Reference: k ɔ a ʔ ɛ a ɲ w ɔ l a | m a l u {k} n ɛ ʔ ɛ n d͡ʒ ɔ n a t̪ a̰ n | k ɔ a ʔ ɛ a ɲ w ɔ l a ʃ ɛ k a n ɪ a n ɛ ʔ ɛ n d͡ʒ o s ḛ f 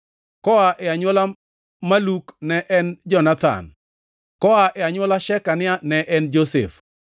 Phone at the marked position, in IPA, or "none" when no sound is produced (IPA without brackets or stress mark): k